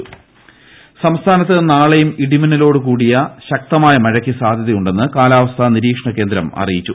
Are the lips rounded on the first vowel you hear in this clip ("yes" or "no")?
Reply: no